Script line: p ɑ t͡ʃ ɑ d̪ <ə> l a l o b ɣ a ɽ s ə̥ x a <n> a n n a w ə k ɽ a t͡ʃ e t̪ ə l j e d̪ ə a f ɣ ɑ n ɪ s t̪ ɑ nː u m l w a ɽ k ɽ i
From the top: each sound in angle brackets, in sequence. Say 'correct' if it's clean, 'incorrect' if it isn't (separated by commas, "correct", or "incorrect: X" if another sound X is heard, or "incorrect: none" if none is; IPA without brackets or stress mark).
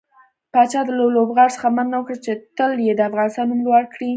correct, incorrect: m